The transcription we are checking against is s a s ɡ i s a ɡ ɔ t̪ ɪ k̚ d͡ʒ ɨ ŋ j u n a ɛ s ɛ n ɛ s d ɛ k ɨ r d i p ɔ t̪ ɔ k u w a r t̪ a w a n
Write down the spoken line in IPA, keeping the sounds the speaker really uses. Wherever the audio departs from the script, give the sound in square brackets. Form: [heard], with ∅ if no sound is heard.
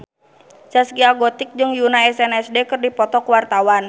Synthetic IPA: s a s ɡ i [∅] a ɡ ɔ t̪ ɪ k̚ d͡ʒ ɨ ŋ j u n a ɛ s ɛ n ɛ s d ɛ k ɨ r d i p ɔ t̪ ɔ k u w a r t̪ a w a n